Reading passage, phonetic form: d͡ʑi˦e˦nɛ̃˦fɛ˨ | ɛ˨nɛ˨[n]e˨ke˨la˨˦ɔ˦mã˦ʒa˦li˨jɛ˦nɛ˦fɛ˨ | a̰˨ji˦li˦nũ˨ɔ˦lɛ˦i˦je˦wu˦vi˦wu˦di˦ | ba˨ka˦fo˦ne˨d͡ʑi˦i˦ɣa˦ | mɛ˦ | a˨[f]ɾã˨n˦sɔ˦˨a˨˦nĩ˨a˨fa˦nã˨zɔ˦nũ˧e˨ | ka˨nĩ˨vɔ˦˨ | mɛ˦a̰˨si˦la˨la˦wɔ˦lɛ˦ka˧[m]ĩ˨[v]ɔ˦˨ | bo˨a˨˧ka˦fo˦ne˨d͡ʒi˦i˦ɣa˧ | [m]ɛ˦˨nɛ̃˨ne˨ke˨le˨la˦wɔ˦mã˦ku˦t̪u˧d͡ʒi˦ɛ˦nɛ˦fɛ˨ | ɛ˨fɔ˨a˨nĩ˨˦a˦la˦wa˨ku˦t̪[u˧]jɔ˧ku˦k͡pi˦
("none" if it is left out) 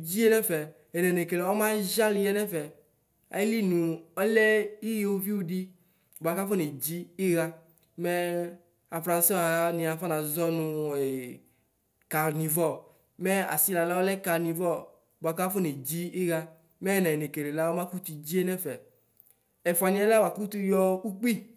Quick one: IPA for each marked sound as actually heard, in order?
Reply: n, f, n, v, m, u˧

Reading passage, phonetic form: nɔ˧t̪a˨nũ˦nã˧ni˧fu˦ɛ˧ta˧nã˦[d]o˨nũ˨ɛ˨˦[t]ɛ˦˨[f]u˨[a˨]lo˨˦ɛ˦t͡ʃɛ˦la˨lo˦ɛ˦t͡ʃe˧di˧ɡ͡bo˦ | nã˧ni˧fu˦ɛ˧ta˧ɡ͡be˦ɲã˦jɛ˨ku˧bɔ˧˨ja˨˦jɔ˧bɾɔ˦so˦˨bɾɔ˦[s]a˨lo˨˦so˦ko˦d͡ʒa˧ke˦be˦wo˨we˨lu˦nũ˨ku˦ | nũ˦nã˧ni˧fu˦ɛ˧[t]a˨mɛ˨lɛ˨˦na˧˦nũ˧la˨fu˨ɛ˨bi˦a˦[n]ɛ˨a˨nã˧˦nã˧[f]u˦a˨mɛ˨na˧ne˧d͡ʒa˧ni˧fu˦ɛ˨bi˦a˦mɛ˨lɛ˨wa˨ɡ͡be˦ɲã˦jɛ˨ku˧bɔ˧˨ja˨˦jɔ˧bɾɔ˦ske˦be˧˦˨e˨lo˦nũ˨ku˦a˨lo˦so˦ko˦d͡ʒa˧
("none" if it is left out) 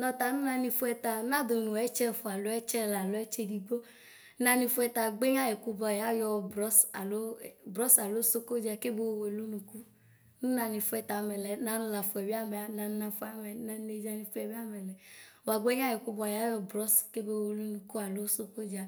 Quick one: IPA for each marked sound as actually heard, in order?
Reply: d, t͡ʃ, f, a˨, s, t, m, f

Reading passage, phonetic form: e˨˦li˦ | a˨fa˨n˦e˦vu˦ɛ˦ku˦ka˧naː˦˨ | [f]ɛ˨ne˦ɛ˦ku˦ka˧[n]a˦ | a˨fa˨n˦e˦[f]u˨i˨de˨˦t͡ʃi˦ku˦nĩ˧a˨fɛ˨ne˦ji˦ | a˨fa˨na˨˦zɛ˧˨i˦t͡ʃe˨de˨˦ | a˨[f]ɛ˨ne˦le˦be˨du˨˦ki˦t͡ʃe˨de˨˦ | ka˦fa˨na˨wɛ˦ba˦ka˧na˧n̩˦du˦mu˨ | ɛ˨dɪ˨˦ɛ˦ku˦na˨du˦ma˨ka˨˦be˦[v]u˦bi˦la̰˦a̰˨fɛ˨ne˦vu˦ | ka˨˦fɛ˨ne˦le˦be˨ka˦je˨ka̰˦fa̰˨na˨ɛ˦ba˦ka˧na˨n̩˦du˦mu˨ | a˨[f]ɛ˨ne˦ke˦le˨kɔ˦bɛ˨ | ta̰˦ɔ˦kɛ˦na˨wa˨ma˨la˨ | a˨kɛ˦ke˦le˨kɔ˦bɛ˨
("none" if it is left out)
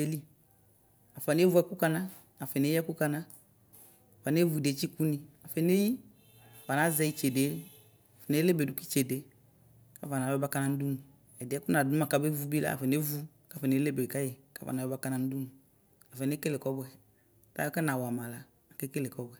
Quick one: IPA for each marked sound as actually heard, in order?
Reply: f, n, v, f, v, f

